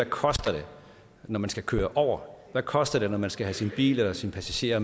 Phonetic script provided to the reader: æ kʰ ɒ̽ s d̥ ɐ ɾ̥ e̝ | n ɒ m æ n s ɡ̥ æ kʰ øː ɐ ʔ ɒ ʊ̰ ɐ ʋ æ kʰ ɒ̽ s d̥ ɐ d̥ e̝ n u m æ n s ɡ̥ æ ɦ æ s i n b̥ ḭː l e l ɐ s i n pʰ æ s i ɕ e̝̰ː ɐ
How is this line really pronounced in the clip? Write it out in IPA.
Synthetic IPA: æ kʰ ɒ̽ s d̥ ɐ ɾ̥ e̝ | n ɒ m æ n s ɡ̥ æ kʰ øː ɐ ʔ ɒ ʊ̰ ɐ ʋ æ kʰ ɒ̽ s d̥ ɐ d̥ e̝ n ɒ m æ n s ɡ̥ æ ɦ æ s i n b̥ ḭː l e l ɐ s i n pʰ æ s æ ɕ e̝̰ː ɐ